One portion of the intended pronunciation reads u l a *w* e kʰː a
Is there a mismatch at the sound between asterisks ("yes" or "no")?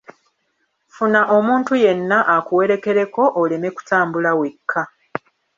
no